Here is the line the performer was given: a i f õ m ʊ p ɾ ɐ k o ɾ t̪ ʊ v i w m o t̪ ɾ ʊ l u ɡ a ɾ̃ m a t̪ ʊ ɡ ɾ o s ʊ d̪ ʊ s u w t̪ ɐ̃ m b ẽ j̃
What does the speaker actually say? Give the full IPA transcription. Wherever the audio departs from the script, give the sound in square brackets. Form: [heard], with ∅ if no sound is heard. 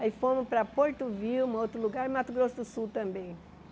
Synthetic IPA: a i f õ m ʊ p ɾ ɐ [p] o ɾ t̪ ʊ v i w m o t̪ ɾ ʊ l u ɡ a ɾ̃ m a t̪ ʊ ɡ ɾ o s ʊ d̪ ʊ s u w t̪ ɐ̃ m b ẽ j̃